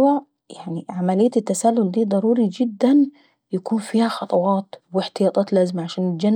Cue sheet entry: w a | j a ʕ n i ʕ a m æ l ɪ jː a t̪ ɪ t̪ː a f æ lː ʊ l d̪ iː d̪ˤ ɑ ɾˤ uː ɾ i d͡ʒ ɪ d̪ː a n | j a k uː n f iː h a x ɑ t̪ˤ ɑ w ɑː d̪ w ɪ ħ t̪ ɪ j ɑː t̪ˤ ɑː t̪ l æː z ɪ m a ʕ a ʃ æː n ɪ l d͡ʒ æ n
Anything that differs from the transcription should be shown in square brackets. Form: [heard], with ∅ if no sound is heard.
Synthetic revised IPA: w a | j a ʕ n i ʕ a m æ l ɪ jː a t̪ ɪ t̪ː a [s] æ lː ʊ l d̪ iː d̪ˤ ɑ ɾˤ uː ɾ i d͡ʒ ɪ d̪ː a n | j a k uː n f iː h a x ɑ t̪ˤ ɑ w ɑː [t̪] w ɪ ħ t̪ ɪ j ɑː t̪ˤ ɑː t̪ l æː z ɪ m a ʕ a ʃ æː n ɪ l d͡ʒ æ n